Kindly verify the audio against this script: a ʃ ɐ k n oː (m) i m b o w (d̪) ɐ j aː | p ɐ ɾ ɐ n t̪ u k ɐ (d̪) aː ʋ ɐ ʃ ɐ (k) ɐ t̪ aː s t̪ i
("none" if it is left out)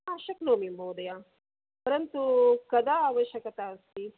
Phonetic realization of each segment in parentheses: m, d̪, d̪, k

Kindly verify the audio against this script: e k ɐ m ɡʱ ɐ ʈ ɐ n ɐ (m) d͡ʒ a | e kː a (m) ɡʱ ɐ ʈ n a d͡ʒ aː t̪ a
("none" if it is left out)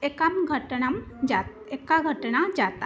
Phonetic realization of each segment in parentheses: m, none

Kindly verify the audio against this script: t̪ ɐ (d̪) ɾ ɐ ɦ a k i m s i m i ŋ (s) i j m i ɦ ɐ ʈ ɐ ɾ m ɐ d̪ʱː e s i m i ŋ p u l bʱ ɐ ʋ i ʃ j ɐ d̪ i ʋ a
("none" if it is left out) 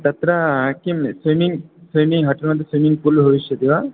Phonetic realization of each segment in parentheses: t̪, s

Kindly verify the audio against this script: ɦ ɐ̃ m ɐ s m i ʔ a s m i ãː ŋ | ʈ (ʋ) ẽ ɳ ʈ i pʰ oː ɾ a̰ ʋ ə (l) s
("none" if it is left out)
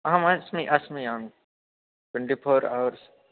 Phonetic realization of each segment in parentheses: w, ɾ

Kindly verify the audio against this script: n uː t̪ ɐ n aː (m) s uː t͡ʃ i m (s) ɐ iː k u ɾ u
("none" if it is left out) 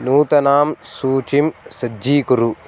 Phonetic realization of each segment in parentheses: m, s

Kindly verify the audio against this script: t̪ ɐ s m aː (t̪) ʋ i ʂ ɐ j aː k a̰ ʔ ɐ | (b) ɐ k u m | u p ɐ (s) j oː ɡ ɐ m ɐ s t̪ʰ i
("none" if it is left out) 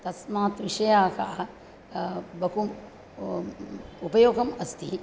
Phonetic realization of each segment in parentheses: t̪, b, none

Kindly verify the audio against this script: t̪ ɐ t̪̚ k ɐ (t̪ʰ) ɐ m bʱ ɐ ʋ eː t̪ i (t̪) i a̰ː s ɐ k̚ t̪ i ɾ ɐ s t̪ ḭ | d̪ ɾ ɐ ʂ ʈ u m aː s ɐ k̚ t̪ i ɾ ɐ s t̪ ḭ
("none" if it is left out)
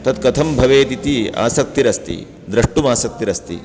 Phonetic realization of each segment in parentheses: t̪ʰ, t̪

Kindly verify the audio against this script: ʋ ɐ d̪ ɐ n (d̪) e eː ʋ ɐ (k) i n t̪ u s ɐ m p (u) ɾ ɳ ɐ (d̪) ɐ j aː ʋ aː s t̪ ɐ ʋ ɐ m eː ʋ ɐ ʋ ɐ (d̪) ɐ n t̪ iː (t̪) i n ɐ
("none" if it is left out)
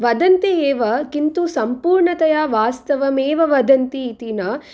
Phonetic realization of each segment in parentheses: t̪, k, uː, t̪, d̪, t̪

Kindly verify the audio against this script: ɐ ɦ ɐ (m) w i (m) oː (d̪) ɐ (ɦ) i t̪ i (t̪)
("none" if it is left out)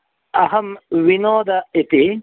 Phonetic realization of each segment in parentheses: m, n, d̪, none, none

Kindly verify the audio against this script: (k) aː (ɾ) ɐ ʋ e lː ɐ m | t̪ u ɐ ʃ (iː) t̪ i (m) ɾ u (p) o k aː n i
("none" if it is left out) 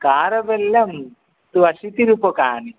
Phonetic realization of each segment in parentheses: k, ɾ, i, none, p

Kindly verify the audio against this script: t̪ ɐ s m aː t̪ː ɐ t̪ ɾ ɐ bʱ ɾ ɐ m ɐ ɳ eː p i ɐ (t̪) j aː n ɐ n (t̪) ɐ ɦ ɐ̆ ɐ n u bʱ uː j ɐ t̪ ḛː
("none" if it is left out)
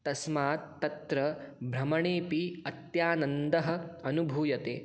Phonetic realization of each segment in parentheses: t̪, d̪

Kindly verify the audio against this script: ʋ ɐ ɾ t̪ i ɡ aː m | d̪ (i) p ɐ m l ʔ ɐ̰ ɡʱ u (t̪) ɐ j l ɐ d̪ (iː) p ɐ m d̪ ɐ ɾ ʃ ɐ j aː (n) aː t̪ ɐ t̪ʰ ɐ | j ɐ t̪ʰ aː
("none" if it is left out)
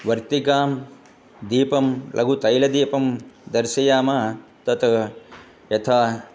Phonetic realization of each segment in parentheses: iː, t̪, iː, m

